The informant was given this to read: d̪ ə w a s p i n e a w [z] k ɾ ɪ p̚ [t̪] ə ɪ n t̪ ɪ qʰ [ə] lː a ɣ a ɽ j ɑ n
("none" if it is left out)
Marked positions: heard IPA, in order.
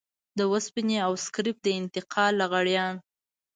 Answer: s, d̪, ɑ

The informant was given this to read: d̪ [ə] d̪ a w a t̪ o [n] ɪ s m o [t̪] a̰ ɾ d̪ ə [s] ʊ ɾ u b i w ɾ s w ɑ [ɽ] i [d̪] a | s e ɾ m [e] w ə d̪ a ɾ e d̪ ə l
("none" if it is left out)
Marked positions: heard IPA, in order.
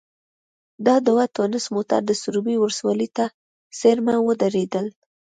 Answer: ɑ, n, t̪, s, l, t̪, a

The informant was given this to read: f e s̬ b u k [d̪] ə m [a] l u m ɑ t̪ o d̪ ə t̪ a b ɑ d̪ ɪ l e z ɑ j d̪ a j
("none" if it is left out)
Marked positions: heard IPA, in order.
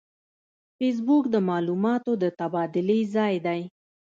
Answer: d̪, ɑ

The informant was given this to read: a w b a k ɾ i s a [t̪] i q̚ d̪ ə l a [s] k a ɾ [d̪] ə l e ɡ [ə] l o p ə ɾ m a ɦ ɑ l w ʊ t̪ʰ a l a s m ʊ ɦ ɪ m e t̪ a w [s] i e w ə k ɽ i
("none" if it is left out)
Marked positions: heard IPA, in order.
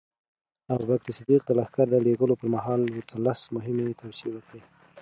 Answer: d̪, x, d̪, ə, s

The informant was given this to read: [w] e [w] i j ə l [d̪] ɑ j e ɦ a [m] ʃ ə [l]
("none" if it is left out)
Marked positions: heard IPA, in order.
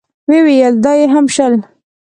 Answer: w, w, d̪, m, l

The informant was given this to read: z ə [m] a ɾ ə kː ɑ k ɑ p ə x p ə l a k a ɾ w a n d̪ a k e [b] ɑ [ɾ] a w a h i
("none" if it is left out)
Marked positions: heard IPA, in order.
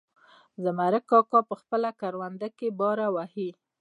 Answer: m, b, ɾ

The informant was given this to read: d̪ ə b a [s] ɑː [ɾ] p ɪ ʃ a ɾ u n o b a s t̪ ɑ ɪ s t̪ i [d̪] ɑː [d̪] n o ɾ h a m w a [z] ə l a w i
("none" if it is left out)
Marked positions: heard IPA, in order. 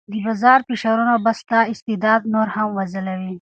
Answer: z, ɾ, d̪, d̪, z

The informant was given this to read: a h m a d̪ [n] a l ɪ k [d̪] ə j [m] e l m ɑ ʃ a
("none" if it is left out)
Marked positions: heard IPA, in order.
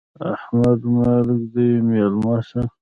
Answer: m, d̪, m

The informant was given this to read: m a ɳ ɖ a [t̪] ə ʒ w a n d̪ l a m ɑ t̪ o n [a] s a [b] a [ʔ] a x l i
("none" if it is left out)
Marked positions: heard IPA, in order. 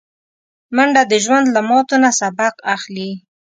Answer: d̪, a, b, q

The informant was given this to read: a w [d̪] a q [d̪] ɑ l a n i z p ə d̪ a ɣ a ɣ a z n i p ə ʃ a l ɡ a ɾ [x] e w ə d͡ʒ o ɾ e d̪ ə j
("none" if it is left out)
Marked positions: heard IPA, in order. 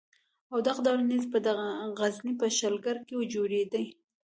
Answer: d̪, d̪, k

